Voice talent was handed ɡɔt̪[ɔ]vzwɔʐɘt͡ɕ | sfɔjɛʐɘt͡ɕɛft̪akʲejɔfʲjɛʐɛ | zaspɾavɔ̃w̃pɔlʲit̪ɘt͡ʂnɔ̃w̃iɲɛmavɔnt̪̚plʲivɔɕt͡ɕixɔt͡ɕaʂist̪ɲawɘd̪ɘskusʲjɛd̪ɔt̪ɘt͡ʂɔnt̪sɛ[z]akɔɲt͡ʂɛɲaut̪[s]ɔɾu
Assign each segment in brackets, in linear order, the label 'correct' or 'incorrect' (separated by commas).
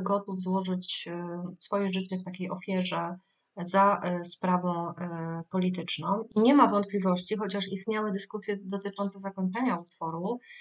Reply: incorrect, correct, incorrect